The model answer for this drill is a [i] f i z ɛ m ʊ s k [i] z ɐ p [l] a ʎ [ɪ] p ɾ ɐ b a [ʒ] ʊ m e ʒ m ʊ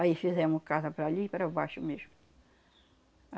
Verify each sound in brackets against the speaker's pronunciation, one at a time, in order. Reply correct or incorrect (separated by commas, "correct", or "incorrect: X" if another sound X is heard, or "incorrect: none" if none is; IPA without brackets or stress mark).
correct, incorrect: a, incorrect: ɾ, incorrect: i, incorrect: ʃ